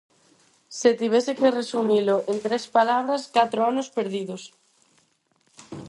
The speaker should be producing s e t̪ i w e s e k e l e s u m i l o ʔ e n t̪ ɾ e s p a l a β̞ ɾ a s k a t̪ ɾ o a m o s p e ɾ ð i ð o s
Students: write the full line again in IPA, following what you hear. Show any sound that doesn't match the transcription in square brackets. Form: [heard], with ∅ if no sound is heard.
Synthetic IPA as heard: s e t̪ i [β] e s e k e [r] e s u m i l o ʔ e n t̪ ɾ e s p a l a β̞ ɾ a s k a t̪ ɾ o a [n] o s p e ɾ ð i ð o s